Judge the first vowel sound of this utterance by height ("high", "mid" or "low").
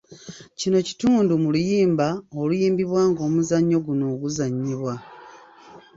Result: high